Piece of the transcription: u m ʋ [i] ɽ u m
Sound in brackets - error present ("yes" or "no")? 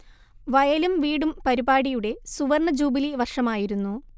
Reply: yes